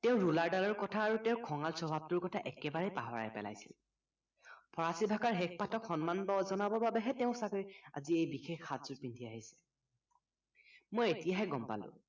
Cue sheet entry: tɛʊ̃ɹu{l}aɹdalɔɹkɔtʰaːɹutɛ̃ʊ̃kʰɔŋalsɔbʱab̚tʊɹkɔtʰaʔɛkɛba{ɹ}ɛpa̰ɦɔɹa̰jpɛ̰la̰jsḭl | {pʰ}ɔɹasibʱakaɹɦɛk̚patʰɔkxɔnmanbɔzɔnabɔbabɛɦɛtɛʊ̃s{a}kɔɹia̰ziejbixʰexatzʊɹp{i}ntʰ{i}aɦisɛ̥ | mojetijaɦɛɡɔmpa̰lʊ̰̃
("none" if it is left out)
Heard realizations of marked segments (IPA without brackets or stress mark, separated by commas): l, ɹ, pʰ, a, i, i